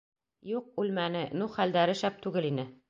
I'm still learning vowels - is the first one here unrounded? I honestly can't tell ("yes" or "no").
no